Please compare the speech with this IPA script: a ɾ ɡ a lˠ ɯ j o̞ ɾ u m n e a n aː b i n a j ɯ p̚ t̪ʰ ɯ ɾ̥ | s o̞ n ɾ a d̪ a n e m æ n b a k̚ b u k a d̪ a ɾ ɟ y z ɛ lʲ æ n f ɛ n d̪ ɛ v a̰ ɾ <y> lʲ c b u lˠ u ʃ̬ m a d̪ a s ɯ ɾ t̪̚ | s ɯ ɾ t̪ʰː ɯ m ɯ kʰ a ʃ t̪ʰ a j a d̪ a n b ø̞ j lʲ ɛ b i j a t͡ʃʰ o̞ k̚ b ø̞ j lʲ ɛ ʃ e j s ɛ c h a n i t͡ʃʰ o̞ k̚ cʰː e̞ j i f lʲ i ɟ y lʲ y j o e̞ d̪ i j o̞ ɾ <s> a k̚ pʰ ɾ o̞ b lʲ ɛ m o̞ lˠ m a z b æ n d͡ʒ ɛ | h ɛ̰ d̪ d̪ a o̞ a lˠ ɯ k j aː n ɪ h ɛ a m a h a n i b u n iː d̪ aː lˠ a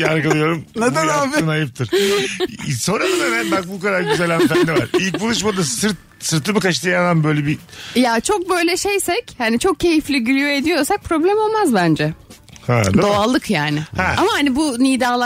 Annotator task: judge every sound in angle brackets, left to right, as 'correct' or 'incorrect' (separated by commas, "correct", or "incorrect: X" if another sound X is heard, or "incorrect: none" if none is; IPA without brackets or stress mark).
incorrect: i, correct